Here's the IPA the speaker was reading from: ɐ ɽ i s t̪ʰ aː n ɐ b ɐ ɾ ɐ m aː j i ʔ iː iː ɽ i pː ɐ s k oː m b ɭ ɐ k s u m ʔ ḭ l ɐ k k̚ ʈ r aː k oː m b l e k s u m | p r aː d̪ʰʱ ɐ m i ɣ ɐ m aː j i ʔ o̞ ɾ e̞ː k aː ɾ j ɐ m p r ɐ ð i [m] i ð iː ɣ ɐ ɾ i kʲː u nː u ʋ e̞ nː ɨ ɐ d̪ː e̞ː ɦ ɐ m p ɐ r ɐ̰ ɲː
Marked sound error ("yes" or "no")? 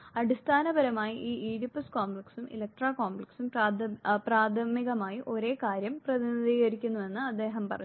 yes